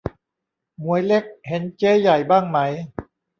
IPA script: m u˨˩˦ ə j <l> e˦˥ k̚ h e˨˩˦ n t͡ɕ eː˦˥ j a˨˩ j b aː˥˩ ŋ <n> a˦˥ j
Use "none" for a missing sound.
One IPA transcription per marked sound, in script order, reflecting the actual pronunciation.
l, m

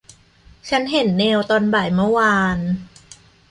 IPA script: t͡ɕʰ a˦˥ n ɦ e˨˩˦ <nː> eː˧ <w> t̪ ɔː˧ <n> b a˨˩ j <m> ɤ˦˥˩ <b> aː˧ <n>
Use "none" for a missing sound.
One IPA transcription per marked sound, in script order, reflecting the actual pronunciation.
nː, w, n, m, w, n

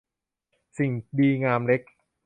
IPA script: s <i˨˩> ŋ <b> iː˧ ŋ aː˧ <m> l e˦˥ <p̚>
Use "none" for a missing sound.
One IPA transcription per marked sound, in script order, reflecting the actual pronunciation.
i˨˩, d, m, k̚

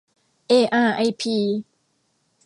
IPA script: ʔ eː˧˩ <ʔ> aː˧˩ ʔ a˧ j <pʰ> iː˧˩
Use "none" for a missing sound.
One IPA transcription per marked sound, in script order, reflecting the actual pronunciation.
ʔ, pʰ

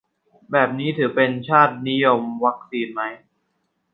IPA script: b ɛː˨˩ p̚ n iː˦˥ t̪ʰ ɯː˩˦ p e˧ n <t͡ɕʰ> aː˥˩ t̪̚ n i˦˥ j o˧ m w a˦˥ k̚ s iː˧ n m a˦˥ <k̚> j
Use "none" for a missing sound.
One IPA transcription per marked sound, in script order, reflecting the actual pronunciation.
t͡ɕʰ, none

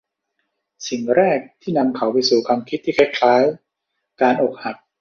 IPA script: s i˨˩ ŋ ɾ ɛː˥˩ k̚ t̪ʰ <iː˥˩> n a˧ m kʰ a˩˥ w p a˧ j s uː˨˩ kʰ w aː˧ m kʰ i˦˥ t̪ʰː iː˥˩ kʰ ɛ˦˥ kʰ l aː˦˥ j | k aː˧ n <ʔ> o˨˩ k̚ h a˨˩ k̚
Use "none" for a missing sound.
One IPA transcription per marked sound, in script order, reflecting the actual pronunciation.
iː˥˩, ʔ

